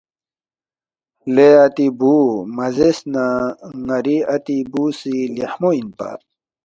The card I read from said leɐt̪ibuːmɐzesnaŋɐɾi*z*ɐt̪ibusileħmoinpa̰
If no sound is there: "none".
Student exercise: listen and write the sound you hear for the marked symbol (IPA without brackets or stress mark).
none